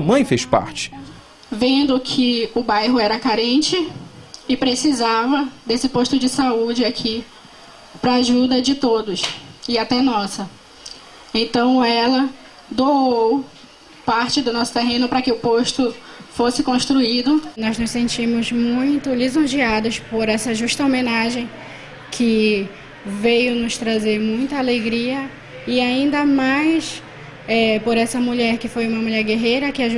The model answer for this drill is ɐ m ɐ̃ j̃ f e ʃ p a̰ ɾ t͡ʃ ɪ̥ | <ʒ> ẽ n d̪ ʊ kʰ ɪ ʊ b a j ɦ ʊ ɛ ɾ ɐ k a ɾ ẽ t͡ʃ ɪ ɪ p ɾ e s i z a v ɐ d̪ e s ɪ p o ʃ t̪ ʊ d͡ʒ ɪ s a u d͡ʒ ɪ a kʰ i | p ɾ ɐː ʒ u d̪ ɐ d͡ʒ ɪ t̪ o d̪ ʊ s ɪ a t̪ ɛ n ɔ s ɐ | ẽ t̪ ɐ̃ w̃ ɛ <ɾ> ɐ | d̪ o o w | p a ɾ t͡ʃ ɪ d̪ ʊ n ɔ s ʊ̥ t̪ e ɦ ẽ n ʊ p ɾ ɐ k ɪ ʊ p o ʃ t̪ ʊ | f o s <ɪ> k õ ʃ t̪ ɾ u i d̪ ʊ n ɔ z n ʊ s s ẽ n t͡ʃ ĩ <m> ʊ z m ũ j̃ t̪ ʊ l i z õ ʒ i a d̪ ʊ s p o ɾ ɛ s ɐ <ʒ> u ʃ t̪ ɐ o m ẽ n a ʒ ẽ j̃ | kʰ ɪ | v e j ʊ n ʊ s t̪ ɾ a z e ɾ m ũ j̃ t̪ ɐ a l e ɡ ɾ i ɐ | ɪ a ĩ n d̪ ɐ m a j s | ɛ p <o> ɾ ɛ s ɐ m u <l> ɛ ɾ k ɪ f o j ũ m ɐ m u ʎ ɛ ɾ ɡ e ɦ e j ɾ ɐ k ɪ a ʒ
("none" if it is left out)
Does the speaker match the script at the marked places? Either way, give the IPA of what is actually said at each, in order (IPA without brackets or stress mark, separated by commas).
v, l, ɪ, m, ʒ, o, ʎ